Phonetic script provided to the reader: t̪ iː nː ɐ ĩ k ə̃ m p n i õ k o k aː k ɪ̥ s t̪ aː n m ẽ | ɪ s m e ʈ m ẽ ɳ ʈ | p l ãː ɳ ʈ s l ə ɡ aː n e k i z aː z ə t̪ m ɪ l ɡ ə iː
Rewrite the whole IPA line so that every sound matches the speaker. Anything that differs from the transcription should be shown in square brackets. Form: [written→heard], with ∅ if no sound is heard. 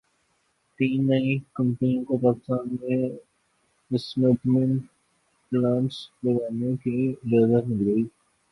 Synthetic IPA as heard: t̪ iː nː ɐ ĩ k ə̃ m p n i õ k o [k→p] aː k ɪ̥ s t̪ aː n m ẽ | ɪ s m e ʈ m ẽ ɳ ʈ | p l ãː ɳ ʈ s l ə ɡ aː n e k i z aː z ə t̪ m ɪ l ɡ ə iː